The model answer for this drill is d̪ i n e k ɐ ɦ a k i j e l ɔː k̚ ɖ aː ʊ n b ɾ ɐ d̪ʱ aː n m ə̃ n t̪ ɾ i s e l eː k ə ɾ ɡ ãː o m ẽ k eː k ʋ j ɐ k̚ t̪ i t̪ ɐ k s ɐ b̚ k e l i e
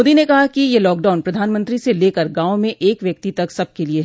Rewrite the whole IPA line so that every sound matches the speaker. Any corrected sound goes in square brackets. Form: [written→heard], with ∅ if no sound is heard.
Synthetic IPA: d̪ i n e k ɐ ɦ a k i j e l ɔː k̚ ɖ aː ʊ n [b→p] ɾ ɐ d̪ʱ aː n m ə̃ n t̪ ɾ i s e l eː k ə ɾ ɡ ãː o m ẽ [k→ʔ] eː k ʋ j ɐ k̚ t̪ i t̪ ɐ k s ɐ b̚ k e l i e